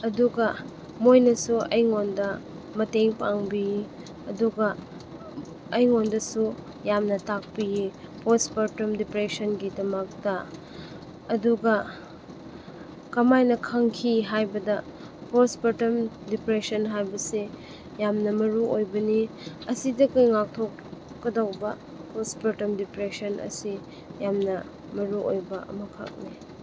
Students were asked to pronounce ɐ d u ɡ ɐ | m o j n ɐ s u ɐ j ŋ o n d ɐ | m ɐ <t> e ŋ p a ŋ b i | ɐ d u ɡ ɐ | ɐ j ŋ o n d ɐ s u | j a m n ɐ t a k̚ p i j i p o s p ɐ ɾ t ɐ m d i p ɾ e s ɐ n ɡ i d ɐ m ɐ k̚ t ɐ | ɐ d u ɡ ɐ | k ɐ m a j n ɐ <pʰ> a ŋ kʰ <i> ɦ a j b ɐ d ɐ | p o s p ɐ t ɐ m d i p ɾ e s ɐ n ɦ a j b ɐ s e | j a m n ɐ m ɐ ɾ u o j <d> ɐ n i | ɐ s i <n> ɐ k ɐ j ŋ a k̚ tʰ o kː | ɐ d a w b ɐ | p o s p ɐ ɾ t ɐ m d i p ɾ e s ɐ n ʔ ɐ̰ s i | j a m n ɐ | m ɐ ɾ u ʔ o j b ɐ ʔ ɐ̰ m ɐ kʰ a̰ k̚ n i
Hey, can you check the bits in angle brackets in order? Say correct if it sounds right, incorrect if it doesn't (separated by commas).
correct, incorrect, correct, incorrect, incorrect